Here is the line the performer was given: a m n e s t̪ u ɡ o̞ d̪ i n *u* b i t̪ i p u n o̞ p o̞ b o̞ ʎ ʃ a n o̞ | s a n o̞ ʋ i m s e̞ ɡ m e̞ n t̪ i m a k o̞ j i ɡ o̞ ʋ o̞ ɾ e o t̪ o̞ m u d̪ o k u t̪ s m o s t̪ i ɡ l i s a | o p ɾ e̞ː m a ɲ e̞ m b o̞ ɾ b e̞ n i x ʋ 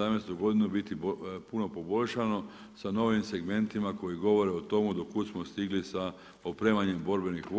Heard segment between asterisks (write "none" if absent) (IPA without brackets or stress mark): u